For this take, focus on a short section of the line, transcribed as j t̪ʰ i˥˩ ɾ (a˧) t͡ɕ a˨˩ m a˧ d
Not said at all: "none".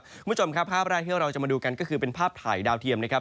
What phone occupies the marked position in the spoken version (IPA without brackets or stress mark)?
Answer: a˧